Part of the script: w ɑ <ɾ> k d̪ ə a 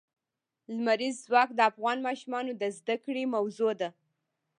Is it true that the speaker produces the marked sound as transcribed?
no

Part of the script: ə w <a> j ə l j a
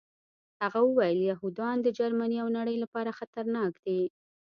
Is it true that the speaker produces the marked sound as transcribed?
yes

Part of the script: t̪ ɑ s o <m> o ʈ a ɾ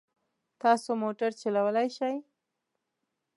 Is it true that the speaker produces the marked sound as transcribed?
yes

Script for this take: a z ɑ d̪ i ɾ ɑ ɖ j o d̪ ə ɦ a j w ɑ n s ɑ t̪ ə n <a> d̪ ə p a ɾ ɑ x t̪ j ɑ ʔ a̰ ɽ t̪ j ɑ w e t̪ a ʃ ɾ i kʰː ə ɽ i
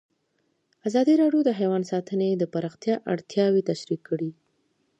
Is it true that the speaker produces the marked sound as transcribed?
no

